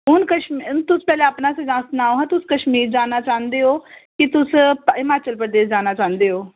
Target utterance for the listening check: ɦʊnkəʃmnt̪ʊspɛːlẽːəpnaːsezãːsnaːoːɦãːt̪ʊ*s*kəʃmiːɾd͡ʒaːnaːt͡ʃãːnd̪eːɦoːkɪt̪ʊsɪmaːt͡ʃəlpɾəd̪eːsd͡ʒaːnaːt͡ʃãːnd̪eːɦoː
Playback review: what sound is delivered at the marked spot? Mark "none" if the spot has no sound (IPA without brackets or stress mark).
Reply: s